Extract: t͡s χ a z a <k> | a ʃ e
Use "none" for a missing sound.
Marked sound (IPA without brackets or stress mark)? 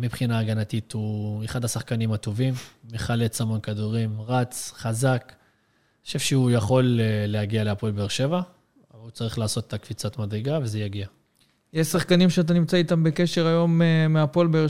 k